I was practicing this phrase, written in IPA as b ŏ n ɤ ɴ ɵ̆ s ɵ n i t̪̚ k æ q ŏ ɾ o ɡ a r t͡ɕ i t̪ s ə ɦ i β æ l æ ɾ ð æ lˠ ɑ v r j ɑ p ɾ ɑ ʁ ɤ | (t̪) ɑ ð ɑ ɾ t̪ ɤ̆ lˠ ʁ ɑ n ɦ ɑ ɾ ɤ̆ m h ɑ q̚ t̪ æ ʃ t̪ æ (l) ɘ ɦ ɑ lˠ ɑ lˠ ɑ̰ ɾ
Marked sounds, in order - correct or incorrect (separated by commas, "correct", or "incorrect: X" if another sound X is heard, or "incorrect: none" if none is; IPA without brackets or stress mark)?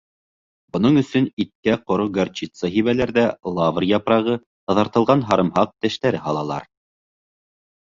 correct, incorrect: ɾ